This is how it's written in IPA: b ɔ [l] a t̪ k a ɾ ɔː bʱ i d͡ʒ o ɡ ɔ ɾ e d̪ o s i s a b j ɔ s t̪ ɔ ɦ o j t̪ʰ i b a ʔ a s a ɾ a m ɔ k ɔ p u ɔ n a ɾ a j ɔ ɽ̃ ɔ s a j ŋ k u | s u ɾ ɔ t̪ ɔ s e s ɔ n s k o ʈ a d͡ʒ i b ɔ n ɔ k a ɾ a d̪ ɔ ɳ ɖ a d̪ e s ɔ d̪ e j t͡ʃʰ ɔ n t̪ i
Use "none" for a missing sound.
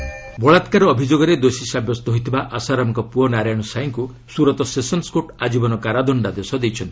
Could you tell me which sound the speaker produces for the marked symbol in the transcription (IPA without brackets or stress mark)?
ɭ